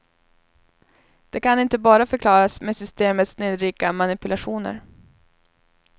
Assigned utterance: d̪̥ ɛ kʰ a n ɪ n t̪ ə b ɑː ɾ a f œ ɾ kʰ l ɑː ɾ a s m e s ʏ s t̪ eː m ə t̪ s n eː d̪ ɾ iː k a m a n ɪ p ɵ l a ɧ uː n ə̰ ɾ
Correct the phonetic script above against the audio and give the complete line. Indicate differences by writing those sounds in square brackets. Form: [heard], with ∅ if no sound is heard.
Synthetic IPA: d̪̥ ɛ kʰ a n ɪ n t̪ ə b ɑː ɾ a f œ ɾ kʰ l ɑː ɾ a s m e s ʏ s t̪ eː m ə t̪ s n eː d̪ ɾ iː k a m a n ɪ p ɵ l a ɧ uː n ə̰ ɾ